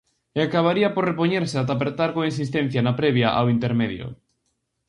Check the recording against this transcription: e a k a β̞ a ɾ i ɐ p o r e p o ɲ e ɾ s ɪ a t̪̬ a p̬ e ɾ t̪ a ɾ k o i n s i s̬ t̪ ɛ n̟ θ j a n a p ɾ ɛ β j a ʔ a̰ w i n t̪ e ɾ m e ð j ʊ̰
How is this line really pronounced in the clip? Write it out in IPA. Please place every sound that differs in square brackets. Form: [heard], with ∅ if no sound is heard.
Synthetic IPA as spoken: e a k a β̞ a ɾ i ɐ p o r e p o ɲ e ɾ s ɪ a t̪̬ a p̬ e ɾ t̪ a ɾ k o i n s i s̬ t̪ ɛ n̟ θ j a n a p ɾ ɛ β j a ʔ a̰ w i n t̪ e ɾ m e ð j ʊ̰